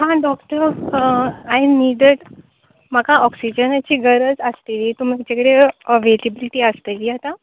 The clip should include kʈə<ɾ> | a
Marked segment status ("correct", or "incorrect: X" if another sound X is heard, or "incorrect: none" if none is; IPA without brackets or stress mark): correct